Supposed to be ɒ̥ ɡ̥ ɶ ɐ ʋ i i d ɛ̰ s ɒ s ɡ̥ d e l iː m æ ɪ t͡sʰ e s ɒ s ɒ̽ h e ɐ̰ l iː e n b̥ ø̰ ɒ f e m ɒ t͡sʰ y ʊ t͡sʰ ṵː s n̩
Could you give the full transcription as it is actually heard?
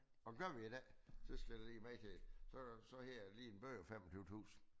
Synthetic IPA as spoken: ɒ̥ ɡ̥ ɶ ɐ ʋ i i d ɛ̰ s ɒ s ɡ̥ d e l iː m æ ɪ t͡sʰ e s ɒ s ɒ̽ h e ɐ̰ l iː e n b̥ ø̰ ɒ f e m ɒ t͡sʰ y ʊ t͡sʰ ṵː s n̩

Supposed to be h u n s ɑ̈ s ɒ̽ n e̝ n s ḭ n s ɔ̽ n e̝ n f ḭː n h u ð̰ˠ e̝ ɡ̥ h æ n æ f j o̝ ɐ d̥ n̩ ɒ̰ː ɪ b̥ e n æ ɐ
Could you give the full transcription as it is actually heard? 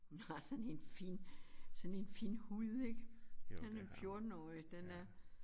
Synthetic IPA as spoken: h u n h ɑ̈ s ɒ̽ n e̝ n f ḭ n s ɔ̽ n e̝ n f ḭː n h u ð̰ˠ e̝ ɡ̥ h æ n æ f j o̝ ɐ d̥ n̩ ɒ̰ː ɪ d̥ e n æ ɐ

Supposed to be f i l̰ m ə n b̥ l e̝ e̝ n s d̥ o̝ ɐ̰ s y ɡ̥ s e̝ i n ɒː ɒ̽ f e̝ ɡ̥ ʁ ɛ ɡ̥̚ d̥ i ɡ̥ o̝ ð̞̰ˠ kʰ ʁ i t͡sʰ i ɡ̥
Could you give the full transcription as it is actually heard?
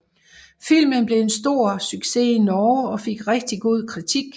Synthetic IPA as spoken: f i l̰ m ə n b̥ l e̝ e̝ n s d̥ o̝ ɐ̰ s y ɡ̥ s e̝ i n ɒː ɒ̽ f e̝ ɡ̥ ʁ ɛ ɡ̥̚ d̥ i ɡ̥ o̝ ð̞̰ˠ kʰ ʁ i t͡sʰ i ɡ̥

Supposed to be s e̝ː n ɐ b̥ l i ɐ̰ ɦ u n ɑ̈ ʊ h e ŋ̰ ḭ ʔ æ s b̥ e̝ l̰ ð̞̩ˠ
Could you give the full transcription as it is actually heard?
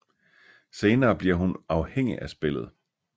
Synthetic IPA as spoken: s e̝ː n ɐː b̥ l i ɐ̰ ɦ u n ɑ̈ ʊ h e ŋ̰ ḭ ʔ æ s b̥ e̝ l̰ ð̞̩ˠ

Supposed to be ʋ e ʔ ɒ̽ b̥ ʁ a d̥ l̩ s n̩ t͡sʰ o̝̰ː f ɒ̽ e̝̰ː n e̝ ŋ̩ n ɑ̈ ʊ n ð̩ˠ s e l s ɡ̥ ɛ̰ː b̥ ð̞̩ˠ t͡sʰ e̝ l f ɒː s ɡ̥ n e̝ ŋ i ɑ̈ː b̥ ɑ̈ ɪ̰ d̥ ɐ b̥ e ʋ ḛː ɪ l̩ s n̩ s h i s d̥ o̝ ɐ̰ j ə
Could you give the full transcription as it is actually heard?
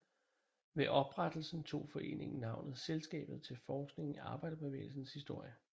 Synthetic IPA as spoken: ʋ e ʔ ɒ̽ b̥ ʁ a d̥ l̩ s n̩ t͡sʰ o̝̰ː f ɒ̽ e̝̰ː n e̝ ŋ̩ n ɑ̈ ʊ n ð̩ˠ s e l s ɡ̥ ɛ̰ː b̥ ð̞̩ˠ t͡sʰ e̝ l f ɒː s ɡ̥ n e̝ ŋ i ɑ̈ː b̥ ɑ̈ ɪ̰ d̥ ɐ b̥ e ʋ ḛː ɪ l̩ s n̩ s h i s d̥ o̝ ɐ̰ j ə

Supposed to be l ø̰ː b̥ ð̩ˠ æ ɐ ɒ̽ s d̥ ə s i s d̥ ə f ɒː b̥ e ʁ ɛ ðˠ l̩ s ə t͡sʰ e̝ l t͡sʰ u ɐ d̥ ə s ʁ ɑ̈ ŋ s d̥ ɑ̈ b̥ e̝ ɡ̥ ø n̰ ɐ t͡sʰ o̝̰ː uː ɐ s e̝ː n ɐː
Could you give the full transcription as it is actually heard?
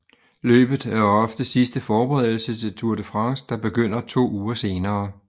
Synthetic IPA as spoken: l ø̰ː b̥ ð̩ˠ æ ɐ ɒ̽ f d̥ ə s i s d̥ ə f ɒː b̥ e ʁ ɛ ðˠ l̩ s ə t͡sʰ e̝ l t͡sʰ u ɐ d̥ ə f ʁ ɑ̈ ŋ s d̥ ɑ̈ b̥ e̝ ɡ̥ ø n̰ ɐ t͡sʰ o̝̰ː uː ɐ s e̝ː n ɐː

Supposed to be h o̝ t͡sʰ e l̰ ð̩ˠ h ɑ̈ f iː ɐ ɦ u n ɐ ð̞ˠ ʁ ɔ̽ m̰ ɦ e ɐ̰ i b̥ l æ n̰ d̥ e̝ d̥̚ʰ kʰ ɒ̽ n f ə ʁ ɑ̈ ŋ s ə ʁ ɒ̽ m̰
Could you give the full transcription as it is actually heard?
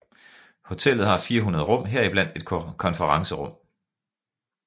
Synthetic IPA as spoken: h o̝ t͡sʰ e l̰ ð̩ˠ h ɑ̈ f iː ɐ ɦ u n ɐ ð̞ˠ ʁ ɔ̽ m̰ ɦ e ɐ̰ i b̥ l æ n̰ d̥ e̝ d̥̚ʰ kʰ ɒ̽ n f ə ʁ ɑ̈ ŋ s ə ʁ ɔ̽ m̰

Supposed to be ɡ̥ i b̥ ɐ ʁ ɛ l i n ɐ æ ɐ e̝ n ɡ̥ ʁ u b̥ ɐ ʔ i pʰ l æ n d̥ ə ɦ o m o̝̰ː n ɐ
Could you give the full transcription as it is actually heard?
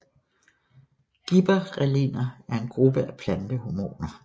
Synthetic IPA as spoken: ɡ̥ i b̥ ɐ ʁ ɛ l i n ɐ æ ɐ e̝ n ɡ̥ ʁ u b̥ ə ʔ æ pʰ l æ n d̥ ə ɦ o m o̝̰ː n ɐ

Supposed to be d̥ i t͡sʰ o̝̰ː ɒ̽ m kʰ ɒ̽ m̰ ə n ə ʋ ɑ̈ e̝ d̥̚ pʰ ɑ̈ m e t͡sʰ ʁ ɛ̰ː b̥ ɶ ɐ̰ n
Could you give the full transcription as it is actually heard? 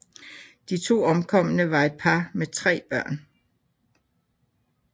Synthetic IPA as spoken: d̥ i t͡sʰ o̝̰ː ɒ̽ m kʰ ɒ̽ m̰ ə n ə ʋ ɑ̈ e̝ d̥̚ pʰ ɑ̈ m e t͡sʰ ʁ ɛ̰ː b̥ ɶ ɐ̰ n

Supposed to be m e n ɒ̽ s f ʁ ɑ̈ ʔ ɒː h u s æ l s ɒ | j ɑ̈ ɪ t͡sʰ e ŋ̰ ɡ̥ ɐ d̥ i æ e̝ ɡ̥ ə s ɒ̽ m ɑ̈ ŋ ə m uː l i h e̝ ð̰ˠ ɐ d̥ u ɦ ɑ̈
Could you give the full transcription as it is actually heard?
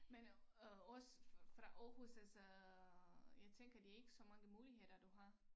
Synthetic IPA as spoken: m e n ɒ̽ s f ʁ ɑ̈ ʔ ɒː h u s æ l s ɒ | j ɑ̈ ɪ t͡sʰ e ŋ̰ ɡ̥ ɐ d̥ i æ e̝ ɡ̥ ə s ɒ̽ m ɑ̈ ŋ ə m uː l i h e̝ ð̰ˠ ɐ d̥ u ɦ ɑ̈

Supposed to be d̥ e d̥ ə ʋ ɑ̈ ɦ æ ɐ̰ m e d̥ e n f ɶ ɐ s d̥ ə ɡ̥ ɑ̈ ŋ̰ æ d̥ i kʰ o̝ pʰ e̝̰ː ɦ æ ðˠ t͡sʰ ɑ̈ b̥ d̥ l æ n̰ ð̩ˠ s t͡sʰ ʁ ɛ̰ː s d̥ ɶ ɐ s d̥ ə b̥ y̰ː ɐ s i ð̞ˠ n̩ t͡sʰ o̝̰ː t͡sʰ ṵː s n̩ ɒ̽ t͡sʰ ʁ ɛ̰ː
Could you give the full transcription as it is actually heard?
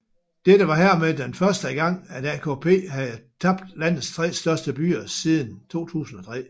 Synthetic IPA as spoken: d̥ e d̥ ə ʋ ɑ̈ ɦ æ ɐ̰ m e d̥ e n f ɶ ɐ s d̥ ə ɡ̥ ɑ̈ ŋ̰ æ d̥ æ kʰ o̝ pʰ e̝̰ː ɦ æ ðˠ t͡sʰ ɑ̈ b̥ d̥ l æ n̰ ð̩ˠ s t͡sʰ ʁ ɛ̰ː s d̥ ɶ ɐ s d̥ ə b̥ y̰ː ɐ s i ð̞ˠ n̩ t͡sʰ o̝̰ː t͡sʰ ṵː s n̩ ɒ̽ t͡sʰ ʁ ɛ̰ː

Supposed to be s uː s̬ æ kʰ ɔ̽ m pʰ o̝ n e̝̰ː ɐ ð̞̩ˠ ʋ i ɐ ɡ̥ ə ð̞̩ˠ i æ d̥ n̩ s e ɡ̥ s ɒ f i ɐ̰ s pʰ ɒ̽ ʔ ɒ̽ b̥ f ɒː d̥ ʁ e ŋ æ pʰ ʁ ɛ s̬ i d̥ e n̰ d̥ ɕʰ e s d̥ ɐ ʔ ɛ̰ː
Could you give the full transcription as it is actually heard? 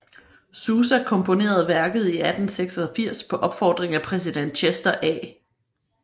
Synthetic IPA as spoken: s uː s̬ æ kʰ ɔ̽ m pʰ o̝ n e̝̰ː ɐ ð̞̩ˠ ʋ æ ɐ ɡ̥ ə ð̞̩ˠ i æ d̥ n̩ s e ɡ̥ s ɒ f i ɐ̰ s pʰ ɒ̽ ʔ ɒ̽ b̥ f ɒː d̥ ʁ e ŋ æ pʰ ʁ ɛ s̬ i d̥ e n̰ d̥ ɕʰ e s d̥ ɐ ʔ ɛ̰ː

